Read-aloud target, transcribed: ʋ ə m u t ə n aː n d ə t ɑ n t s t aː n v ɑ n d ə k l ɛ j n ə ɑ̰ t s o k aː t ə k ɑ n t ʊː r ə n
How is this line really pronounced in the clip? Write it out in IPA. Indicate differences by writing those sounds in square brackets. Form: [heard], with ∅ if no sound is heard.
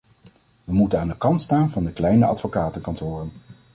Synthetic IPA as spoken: ʋ ə m u t ə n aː n d ə [k] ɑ n t s t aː n v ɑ n d ə k l ɛ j n ə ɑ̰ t [f] o k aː t ə k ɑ n t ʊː r ə n